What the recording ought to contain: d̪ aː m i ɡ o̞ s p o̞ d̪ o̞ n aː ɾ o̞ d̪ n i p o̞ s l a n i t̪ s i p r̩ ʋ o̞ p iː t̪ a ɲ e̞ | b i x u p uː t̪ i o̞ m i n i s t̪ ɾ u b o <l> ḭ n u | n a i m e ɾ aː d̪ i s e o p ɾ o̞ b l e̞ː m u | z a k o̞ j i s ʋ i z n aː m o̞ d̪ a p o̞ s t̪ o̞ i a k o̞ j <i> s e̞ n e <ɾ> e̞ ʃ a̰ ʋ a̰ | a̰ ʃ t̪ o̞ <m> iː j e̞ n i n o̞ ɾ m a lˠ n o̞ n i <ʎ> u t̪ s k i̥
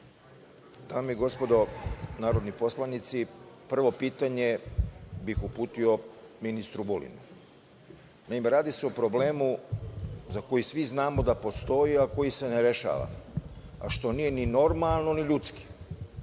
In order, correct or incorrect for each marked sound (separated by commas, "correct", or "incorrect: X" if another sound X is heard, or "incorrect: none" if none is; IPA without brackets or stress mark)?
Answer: correct, correct, correct, incorrect: n, correct